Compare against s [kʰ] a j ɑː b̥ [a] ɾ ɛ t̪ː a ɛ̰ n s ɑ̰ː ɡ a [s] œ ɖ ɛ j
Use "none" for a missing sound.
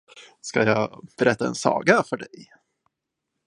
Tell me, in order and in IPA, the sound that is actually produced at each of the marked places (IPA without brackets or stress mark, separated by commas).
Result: k, ɛ, f